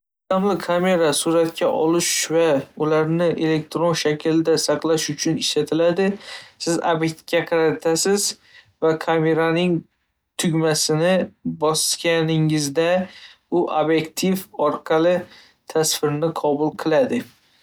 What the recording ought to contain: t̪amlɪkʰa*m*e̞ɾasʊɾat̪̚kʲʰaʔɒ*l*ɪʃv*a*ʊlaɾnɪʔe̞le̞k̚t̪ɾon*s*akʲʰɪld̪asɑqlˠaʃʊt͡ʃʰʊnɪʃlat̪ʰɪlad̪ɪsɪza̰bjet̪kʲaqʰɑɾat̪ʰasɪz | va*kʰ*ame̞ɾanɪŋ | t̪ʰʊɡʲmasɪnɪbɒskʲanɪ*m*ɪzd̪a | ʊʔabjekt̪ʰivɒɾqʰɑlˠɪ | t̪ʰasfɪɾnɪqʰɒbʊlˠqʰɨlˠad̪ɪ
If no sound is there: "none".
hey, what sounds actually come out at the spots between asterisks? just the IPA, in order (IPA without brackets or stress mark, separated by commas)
m, l, a, ʃ, kʰ, ŋ